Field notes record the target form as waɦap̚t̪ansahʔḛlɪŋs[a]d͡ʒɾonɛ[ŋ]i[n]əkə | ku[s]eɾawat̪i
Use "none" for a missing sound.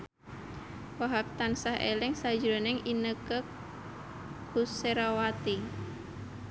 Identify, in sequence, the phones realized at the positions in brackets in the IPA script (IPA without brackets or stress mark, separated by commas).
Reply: a, ŋ, n, s